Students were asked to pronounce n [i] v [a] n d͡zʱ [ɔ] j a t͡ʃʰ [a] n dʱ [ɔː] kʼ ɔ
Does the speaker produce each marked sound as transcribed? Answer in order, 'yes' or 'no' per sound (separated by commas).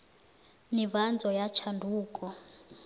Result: yes, yes, yes, yes, no